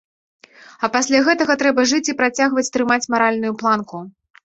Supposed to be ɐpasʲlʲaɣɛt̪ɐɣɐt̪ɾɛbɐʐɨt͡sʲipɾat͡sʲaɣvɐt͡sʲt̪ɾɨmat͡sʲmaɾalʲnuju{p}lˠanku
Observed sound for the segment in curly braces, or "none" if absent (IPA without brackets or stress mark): p